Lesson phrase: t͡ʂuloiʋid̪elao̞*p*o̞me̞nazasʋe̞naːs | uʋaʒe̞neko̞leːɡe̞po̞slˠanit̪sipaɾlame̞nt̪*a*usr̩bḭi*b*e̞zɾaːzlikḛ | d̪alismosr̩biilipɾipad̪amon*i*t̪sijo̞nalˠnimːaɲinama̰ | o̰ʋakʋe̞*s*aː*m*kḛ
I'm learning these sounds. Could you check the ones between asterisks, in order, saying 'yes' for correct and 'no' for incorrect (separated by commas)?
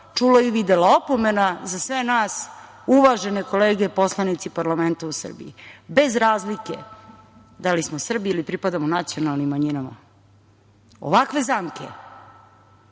yes, yes, yes, no, no, yes